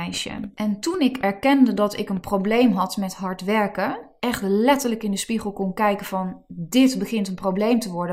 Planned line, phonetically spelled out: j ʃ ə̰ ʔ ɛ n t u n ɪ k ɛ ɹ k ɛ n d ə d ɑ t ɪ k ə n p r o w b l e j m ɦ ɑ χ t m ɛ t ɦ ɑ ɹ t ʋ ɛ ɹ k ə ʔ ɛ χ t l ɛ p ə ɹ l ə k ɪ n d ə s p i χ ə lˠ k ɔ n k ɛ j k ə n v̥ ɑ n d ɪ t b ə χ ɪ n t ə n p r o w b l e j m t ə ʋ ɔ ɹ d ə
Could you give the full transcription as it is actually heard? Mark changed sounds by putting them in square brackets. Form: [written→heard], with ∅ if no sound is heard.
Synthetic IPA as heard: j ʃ ə̰ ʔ ɛ n t u n ɪ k ɛ ɹ k ɛ n d ə d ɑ t ɪ k ə n p r o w b l e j m ɦ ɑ [χ→∅] t m ɛ t ɦ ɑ ɹ t ʋ ɛ ɹ k ə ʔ ɛ χ t l ɛ [p→t] ə ɹ l ə k ɪ n d ə s p i χ ə lˠ k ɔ n k ɛ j k ə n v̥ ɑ n d ɪ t b ə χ ɪ n t ə n p r o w b l e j m t ə ʋ ɔ ɹ d ə